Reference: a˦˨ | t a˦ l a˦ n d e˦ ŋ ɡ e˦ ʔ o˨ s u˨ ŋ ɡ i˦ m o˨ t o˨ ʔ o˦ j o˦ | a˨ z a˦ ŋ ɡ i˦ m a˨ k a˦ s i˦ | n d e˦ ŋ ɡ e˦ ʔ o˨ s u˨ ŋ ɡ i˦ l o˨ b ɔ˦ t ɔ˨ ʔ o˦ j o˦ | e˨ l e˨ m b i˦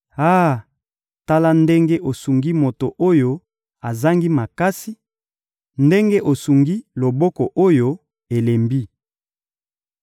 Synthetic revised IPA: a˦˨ | t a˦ l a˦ n d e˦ ŋ ɡ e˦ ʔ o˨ s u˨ ŋ ɡ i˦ m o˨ t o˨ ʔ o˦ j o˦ | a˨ z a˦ ŋ ɡ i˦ m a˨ k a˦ s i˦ | n d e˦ ŋ ɡ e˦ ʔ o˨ s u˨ ŋ ɡ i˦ l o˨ b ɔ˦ k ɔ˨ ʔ o˦ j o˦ | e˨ l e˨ m b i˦